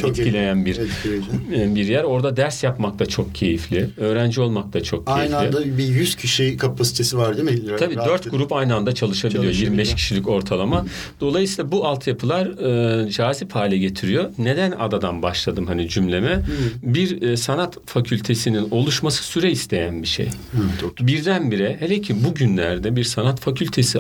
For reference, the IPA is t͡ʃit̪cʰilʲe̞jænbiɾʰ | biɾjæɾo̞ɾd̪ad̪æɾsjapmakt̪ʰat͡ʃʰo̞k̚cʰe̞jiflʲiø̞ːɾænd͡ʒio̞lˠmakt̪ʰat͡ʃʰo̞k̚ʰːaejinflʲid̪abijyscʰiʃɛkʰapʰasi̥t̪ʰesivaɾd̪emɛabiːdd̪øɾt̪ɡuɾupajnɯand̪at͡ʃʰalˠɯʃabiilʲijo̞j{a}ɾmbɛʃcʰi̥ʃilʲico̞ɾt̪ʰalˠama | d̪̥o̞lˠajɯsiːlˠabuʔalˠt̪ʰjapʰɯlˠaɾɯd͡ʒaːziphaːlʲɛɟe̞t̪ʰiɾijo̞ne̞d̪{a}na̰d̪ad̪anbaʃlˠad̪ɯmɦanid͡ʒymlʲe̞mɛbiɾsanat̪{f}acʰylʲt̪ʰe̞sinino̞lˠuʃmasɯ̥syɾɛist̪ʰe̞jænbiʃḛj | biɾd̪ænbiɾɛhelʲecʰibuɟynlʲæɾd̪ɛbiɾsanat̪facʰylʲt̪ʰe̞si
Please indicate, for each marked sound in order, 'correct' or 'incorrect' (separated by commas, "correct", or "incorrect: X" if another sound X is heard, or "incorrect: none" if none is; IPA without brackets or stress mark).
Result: incorrect: i, incorrect: æ, correct